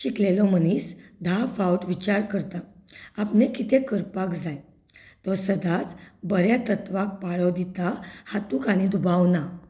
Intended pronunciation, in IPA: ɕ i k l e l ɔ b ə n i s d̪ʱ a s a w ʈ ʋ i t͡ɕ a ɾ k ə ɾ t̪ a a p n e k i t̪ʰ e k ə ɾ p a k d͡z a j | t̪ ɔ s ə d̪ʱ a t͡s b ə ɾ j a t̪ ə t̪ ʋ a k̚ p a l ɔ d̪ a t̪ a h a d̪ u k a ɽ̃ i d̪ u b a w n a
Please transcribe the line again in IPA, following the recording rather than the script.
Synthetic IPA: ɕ i k l e l ɔ m ə n i s d̪ʱ a f a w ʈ ʋ i t͡ɕ a ɾ k ə ɾ t̪ a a p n e k i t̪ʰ e k ə ɾ p a k d͡z a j | t̪ ɔ s ə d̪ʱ a t͡s b ə ɾ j a t̪ ə t̪ ʋ a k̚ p a ɭ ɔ d̪ i t̪ a h a t̪ u k a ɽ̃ i d̪ u b a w n a

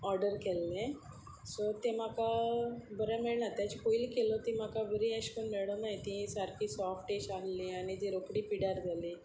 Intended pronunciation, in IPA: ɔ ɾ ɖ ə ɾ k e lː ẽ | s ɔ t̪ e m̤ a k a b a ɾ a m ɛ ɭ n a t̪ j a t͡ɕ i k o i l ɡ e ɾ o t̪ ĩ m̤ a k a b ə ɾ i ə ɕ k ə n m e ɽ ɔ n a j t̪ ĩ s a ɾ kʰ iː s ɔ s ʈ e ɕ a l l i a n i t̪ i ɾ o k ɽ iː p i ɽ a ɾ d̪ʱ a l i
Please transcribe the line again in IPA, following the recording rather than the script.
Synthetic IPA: ɔ ɾ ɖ ə ɾ k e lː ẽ | s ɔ t̪ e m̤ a k a b ə ɾ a m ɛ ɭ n a t̪ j a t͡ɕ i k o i l k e l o t̪ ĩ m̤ a k a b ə ɾ i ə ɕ k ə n m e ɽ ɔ n a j t̪ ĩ s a ɾ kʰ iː s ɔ f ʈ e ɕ a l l i a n i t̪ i ɾ o k ɽ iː p i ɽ a ɾ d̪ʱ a l i

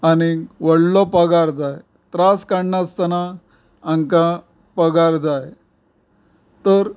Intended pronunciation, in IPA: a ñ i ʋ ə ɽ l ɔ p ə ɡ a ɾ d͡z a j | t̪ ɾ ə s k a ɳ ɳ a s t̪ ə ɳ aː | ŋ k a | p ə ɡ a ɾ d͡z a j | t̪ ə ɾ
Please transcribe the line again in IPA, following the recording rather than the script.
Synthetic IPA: a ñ i ʋ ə ɽ l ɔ p ə ɡ a ɾ d͡z a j | t̪ ɾ a s k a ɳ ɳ a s t̪ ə n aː | ŋ k a | p ə ɡ a ɾ d͡z a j | t̪ ə ɾ

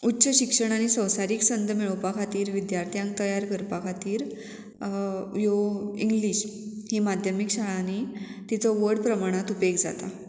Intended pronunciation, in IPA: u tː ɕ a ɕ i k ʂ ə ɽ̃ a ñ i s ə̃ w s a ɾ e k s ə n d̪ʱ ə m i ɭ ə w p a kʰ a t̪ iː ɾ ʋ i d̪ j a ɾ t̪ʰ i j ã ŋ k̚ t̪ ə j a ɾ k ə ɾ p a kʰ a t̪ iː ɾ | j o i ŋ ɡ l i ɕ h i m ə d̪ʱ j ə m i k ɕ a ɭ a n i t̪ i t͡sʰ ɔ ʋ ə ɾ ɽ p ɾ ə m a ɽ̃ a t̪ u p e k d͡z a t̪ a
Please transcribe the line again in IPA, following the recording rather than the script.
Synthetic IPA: u tː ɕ ə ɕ i k ʂ ə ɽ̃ a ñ i s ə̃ w s a ɾ i k s ə n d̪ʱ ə m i ɭ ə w p a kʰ a t̪ iː ɾ ʋ i d̪ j a ɾ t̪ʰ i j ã ŋ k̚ t̪ ə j a ɾ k ə ɾ p a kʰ a t̪ iː ɾ | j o i ŋ ɡ l i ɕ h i m a d̪ʱ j ə m i k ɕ a ɭ a n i t̪ i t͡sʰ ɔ ʋ ə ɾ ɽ p ɾ ə m a ɽ̃ a t̪ u p e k d͡z a t̪ a

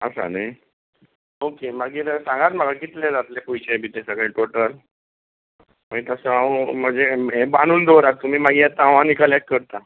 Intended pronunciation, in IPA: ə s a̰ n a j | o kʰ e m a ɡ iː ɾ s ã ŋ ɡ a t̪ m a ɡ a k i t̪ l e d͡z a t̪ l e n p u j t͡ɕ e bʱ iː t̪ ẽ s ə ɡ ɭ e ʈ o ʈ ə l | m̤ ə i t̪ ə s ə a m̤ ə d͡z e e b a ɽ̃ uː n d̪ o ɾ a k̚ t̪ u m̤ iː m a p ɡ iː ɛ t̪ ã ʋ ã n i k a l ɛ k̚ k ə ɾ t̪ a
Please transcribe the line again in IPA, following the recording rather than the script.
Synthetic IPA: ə s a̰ n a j | o k e m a ɡ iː ɾ s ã ŋ ɡ a t̪ m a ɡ a k i t̪ l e d͡z a t̪ l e p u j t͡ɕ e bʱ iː t̪ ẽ s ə ɡ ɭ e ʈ o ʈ ə l | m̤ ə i t̪ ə s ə a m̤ ə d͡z e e b a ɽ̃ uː n d̪ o ɾ a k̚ t̪ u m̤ iː m a ɡ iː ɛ t̪ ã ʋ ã n i k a l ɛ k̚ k ə ɾ t̪ a

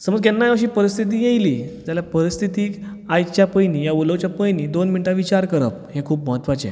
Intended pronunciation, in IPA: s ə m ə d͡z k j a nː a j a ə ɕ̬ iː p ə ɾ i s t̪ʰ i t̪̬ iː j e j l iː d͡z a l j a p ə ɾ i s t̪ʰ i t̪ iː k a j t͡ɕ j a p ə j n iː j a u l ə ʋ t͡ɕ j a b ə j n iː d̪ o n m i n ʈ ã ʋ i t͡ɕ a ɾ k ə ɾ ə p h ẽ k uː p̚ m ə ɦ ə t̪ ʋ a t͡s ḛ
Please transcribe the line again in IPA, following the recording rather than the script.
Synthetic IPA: s ə m ə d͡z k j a nː a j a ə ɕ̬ iː p ə ɾ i s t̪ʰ i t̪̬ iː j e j l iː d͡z a l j a p ə ɾ i s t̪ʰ i t̪ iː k a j t͡ɕ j a p ə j n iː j a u l ə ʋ t͡ɕ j a p ə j n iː d̪ o n m i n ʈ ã ʋ i t͡ɕ a ɾ k ə ɾ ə p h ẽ kʰ uː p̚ m ə ɦ ə t̪ ʋ a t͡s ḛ

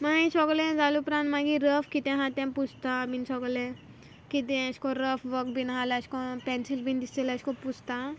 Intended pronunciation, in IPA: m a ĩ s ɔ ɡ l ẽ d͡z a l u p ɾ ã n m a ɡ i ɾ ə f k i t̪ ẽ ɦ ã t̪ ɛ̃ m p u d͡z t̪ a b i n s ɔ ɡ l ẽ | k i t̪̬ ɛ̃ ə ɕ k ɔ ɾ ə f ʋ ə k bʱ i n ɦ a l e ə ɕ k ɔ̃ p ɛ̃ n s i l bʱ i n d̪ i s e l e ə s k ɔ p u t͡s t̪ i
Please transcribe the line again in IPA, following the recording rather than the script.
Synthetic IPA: m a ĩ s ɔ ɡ l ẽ d͡z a l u p ɾ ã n m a ɡ i ɾ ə f k i t̪ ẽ ɦ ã t̪ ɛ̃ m p u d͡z t̪ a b i n s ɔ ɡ l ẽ | k i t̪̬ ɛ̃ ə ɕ k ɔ ɾ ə f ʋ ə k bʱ i n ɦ a l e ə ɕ k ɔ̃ p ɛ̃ n s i l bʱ i n d̪ i s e l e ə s k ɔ p u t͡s t̪ a

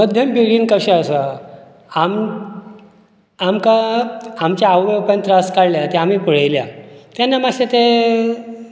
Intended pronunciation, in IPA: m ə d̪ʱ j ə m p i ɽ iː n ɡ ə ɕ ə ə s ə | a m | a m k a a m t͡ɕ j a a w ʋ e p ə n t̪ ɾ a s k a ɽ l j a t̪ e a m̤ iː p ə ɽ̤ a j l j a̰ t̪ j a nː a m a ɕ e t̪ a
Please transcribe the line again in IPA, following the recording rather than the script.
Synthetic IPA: m ə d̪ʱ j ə m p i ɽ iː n k ə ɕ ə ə s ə | a m | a m k a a m t͡ɕ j a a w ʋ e p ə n t̪ ɾ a s k a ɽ l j a t̪ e a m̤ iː p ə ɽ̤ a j l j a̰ t̪ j a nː a m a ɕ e t̪ e

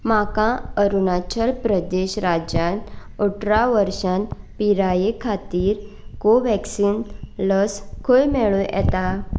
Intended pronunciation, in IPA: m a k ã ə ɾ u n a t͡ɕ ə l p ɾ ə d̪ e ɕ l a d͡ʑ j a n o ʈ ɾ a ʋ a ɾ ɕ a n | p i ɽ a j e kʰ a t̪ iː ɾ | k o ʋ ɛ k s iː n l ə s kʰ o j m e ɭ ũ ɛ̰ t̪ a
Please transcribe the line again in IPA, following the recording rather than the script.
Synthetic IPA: m a k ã ə ɾ u n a t͡ɕ ə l p ɾ ə d̪ e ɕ ɾ a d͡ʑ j a n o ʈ ɾ a ʋ ə ɾ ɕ a n | p i ɾ a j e kʰ a t̪ iː ɾ | k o ʋ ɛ k s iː n l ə s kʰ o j m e ɭ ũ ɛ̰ t̪ a

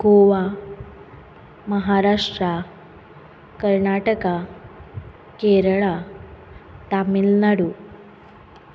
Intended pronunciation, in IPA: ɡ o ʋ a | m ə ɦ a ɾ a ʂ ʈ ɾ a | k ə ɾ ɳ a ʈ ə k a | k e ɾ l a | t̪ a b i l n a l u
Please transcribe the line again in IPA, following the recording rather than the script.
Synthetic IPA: ɡ o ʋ a | m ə ɦ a ɾ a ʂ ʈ ɾ a | k ə ɾ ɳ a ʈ ə k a | k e ɾ ɭ a | t̪ a m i l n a ɽ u

